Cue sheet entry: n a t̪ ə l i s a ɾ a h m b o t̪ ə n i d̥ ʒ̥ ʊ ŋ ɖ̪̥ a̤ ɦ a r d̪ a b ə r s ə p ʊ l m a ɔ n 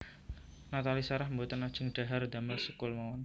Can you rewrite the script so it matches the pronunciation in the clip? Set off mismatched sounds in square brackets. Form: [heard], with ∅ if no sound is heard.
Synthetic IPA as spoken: n a t̪ [a] l i s a ɾ a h m b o t̪ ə n [a] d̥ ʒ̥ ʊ ŋ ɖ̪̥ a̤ ɦ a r d̪ a [m] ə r s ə [k] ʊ l m a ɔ n